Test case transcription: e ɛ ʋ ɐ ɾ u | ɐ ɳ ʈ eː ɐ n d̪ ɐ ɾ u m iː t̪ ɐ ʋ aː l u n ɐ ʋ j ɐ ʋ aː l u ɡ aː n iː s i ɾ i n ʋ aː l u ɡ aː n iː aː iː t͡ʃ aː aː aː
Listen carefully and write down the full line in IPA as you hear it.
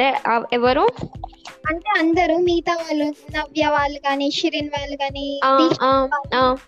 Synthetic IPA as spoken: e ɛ ʋ ɐ ɾ u | ɐ ɳ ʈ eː ɐ n d̪ ɐ ɾ u m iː t̪ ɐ ʋ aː l u n ɐ ʋ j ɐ ʋ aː l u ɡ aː n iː ʃ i ɾ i n ʋ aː l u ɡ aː n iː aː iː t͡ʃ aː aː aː